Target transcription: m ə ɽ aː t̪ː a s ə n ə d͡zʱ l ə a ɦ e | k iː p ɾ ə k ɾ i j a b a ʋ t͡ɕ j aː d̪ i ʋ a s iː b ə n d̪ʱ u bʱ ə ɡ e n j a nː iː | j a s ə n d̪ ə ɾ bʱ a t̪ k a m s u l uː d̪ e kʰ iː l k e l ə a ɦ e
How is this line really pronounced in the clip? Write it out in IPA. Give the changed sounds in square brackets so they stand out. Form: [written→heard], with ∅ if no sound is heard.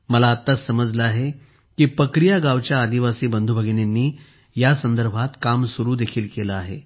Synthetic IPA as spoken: m ə [ɽ→l] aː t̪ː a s ə [n→m] ə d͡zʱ l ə a ɦ e | k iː p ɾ ə k ɾ i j a [b→ɡ] a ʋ t͡ɕ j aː d̪ i ʋ a s iː b ə n d̪ʱ u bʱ ə ɡ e n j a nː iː | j a s ə n d̪ ə ɾ bʱ a t̪ k a m s u [l→ɾ] uː d̪ e kʰ iː l k e l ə a ɦ e